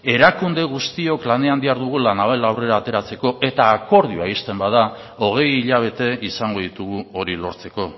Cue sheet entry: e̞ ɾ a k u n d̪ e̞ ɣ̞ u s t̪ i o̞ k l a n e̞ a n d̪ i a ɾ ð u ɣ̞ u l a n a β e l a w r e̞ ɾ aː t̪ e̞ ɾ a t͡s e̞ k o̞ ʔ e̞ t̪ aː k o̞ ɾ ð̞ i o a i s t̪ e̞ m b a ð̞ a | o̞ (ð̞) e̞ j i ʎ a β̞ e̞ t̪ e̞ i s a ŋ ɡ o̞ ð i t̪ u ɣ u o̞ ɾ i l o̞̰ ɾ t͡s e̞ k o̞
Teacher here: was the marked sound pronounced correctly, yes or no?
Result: no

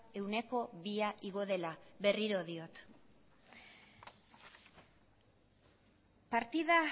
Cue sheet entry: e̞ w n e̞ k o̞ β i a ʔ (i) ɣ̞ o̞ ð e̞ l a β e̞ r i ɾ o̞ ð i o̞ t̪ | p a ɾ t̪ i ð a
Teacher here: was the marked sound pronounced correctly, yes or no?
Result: yes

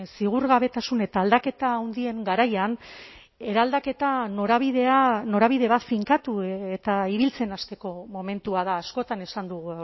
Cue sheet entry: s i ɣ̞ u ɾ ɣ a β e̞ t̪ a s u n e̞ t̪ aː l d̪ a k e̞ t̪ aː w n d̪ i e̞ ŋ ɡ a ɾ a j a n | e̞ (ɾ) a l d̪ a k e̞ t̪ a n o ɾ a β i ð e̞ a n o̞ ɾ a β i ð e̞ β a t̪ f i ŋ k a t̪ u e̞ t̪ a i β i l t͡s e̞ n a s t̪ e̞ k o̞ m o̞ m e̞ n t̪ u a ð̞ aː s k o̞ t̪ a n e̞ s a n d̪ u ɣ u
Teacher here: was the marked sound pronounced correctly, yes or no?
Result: yes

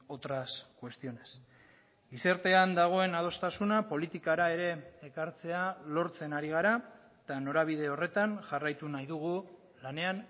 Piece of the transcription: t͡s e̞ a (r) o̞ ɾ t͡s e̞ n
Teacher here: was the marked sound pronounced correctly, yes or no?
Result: no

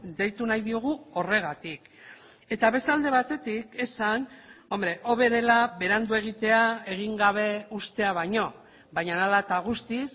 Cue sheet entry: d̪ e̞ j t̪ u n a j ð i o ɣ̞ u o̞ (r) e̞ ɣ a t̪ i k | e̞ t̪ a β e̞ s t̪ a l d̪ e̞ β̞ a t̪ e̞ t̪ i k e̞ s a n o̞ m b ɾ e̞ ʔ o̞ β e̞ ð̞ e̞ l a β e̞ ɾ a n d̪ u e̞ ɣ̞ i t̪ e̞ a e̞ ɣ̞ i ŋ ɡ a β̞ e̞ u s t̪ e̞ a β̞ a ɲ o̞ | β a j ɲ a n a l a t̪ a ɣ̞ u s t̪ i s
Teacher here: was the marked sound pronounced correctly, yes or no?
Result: yes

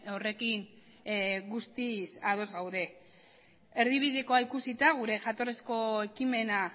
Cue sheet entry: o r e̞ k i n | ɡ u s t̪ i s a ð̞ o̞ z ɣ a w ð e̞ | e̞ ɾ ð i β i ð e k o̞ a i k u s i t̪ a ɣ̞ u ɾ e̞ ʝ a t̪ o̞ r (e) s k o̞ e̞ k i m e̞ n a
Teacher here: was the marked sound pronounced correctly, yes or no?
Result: yes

